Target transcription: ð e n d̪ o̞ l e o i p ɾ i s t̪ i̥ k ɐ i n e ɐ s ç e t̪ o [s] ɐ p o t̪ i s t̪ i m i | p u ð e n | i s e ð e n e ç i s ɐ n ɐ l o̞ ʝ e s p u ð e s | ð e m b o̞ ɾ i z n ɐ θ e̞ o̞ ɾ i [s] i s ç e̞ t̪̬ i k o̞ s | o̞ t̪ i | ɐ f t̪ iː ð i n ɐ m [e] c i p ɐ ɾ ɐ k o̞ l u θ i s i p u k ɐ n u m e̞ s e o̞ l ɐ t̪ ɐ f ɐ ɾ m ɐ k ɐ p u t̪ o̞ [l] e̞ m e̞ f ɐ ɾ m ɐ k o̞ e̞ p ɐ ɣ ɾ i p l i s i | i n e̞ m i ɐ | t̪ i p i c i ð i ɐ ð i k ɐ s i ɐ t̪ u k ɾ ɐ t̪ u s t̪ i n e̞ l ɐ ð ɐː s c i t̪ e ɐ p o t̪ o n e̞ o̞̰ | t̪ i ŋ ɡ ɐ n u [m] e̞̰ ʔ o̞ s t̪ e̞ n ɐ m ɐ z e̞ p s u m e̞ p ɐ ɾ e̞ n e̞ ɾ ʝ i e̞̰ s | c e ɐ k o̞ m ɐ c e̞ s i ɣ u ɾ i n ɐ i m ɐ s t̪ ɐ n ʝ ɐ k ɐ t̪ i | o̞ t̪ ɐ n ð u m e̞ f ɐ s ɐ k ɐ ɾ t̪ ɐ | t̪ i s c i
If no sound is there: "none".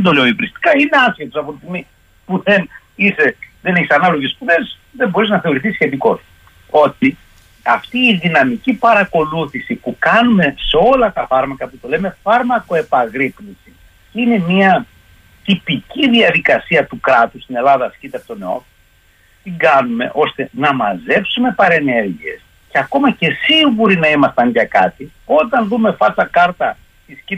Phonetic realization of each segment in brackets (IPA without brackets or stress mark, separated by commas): s, θ, i, l, m